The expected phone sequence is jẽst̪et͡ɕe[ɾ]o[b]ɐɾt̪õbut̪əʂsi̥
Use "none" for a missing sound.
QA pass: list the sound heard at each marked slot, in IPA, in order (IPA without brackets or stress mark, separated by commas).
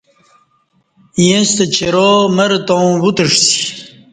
ɾ, m